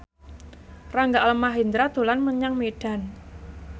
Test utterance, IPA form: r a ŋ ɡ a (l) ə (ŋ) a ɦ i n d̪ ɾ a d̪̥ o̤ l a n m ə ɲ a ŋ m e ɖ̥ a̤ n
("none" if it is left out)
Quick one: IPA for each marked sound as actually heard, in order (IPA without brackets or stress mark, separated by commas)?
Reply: l, m